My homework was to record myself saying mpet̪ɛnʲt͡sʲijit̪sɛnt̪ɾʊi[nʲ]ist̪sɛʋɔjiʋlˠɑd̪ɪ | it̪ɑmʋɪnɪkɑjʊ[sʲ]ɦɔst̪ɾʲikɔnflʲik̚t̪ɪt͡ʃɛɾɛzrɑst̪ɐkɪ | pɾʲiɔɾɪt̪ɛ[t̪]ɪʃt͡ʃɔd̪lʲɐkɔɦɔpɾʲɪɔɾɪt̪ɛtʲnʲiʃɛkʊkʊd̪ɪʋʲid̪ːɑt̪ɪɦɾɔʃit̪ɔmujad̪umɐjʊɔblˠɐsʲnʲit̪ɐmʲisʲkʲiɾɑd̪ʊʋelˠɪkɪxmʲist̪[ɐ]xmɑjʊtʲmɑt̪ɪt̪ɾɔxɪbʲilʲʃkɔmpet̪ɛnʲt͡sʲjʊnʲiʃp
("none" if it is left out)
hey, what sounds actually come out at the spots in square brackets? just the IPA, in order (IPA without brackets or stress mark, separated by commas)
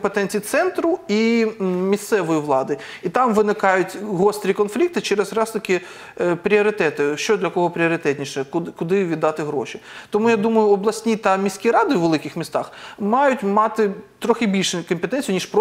mʲ, tʲ, t̪, ɑ